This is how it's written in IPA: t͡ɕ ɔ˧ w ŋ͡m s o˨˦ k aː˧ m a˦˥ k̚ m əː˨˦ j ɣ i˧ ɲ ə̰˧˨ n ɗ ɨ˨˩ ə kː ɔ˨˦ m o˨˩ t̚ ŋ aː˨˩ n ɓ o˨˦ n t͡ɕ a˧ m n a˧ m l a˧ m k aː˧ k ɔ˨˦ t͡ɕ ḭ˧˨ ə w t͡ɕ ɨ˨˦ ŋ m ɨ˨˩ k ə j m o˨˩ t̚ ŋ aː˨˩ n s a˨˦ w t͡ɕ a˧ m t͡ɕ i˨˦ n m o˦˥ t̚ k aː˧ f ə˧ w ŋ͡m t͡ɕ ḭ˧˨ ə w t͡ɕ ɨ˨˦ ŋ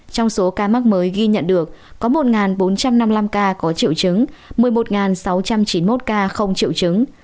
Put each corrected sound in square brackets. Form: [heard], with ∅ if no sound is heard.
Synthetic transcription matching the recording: t͡ɕ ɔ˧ w ŋ͡m s o˨˦ k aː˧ m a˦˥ k̚ m əː˨˦ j ɣ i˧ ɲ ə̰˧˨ n ɗ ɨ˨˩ ə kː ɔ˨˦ m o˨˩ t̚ ŋ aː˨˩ n ɓ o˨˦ n t͡ɕ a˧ m n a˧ m l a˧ m k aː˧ k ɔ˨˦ t͡ɕ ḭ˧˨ ə w t͡ɕ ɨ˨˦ ŋ m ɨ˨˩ [∅] ə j m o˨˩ t̚ ŋ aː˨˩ n s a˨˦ w t͡ɕ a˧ m t͡ɕ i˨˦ n m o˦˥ t̚ k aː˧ [x] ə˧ w ŋ͡m t͡ɕ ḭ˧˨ ə w t͡ɕ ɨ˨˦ ŋ